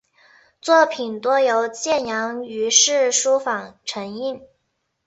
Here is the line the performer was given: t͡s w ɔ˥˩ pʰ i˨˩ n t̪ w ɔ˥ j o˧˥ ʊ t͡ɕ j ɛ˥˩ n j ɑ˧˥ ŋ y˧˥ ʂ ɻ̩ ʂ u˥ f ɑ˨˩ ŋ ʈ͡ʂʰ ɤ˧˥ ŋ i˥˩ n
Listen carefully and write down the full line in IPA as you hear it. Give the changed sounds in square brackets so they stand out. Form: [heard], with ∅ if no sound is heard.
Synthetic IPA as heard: t͡s w ɔ˥˩ pʰ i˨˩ n t̪ w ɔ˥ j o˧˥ ʊ t͡ɕ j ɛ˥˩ n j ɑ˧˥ ŋ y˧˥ ʂ ɻ̩ ʂ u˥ f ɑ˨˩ ŋ ʈ͡ʂʰ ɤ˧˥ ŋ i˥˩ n